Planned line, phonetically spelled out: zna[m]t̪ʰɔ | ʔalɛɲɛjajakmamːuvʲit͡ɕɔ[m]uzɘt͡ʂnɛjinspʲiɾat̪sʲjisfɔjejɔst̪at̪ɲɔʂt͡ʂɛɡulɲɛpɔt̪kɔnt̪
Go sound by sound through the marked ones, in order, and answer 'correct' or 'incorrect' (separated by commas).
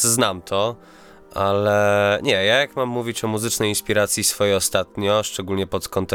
correct, correct